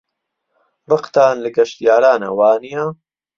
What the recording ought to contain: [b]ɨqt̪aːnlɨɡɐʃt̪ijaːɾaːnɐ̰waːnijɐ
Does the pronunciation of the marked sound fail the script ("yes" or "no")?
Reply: no